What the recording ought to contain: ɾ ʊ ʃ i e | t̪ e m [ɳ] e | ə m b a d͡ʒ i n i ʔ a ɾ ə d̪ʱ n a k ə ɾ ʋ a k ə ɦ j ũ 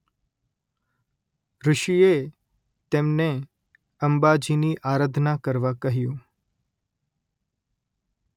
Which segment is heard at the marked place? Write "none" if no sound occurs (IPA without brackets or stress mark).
n